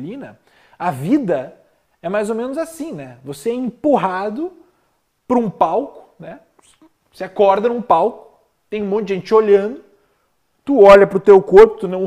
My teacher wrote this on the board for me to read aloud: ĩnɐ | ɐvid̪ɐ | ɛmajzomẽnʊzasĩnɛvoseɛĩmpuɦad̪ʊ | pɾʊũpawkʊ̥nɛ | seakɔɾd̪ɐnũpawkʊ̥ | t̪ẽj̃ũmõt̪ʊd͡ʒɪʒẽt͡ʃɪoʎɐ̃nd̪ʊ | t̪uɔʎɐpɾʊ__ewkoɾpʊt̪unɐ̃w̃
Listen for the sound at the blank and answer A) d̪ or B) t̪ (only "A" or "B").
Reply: B